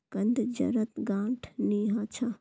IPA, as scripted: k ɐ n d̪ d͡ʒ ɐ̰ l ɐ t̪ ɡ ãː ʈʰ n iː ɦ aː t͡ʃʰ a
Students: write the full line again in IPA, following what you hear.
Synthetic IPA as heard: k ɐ n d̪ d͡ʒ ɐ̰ ɾ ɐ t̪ ɡ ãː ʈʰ n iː ɦ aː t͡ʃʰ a